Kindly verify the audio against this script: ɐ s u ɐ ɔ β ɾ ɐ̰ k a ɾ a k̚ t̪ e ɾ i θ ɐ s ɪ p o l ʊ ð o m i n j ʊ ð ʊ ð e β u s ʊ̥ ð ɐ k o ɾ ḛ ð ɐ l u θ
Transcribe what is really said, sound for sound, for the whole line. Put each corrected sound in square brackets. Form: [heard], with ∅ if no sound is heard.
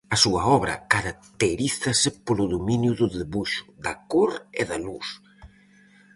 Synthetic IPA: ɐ s u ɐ ɔ β ɾ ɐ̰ k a ɾ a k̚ t̪ e ɾ i θ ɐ s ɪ p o l ʊ ð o m i n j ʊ ð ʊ ð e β u [ʃ] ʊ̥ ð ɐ k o ɾ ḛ ð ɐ l u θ